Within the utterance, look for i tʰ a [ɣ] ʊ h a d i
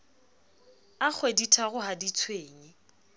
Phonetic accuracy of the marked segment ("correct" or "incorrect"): correct